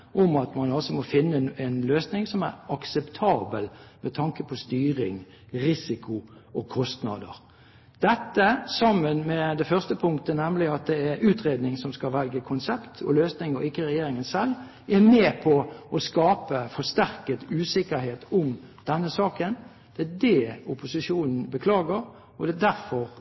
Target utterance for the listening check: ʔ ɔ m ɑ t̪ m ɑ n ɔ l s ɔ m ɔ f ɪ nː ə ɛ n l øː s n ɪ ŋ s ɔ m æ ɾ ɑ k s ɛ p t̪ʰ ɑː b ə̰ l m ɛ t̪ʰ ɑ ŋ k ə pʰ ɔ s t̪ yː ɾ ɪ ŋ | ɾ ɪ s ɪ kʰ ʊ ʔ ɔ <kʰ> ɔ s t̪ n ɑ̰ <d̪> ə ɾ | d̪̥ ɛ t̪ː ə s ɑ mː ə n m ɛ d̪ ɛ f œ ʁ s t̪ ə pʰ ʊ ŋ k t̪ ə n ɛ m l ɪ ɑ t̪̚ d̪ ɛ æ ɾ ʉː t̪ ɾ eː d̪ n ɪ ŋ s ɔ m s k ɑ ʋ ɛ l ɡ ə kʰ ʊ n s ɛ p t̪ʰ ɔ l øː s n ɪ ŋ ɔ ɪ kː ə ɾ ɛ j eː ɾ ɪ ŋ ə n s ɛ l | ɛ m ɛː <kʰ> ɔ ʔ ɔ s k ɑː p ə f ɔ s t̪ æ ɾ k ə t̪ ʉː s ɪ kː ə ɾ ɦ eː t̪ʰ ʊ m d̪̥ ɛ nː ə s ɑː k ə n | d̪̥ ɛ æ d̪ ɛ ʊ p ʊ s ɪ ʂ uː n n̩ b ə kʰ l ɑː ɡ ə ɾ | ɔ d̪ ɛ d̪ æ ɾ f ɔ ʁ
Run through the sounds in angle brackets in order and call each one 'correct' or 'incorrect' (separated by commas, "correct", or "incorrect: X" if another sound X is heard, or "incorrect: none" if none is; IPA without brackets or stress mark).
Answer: correct, correct, incorrect: pʰ